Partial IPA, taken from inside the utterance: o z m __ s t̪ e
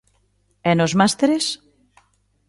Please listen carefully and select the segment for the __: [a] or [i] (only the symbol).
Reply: a